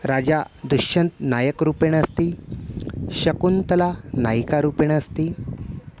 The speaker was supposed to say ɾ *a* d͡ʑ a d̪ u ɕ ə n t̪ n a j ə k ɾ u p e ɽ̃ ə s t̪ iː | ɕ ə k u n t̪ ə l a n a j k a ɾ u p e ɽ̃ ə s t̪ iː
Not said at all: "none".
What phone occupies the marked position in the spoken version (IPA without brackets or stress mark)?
a